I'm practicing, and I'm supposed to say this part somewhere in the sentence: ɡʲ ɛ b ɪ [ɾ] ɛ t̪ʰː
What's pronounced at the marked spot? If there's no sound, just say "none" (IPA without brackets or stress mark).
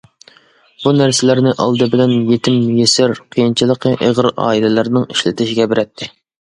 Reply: ɾ